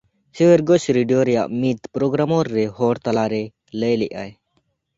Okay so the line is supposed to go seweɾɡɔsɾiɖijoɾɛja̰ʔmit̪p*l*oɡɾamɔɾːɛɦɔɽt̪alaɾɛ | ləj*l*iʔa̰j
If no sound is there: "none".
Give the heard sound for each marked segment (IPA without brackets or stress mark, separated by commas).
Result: ɾ, l